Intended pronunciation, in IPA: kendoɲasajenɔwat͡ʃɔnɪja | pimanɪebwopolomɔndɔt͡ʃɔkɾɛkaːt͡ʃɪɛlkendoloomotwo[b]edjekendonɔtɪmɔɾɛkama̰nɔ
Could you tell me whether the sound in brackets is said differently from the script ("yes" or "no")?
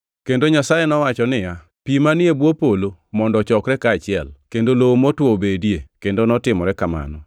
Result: no